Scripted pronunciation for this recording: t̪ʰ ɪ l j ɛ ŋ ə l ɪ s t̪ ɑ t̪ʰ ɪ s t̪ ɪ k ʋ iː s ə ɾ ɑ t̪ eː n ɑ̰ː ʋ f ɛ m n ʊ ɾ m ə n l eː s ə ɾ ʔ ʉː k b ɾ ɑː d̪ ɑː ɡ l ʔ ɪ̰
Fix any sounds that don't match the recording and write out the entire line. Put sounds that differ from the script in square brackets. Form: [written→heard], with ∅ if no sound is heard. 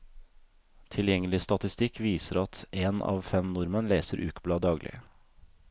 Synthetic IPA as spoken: t̪ʰ ɪ l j ɛ ŋ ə l ɪ s t̪ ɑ [t̪ʰ→t̪] ɪ s t̪ ɪ k ʋ iː s ə ɾ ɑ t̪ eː n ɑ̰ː ʋ f ɛ m n ʊ ɾ m ə n l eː s ə ɾ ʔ ʉː k b [ɾ→l] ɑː d̪ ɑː ɡ l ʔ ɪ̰